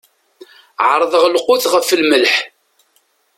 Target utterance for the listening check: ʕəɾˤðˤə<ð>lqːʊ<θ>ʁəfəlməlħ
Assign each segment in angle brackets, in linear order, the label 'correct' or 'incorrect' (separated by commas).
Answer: incorrect, correct